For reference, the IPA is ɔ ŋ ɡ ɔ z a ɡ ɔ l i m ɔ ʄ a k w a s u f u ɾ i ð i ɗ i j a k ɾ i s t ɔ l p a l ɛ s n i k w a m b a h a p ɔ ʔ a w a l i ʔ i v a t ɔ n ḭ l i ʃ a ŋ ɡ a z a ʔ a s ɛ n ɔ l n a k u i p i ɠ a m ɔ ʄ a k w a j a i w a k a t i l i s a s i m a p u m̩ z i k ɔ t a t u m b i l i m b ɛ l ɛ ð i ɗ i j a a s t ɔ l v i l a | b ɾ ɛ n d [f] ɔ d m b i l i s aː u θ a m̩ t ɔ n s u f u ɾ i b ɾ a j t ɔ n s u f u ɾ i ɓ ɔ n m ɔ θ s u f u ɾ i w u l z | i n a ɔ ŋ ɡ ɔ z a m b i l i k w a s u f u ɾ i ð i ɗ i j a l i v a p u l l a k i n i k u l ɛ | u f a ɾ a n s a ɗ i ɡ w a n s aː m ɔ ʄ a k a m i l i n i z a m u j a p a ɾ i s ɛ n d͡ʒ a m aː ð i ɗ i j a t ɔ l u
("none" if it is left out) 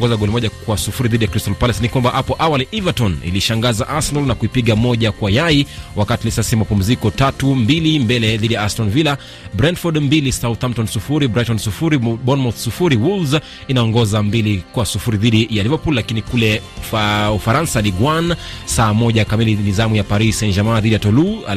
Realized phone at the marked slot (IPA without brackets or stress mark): f